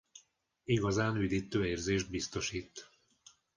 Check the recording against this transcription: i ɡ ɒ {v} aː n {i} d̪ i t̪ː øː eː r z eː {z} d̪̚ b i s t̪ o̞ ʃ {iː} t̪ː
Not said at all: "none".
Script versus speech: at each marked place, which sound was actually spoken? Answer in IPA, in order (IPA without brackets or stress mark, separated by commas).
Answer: z, y, ʒ, iː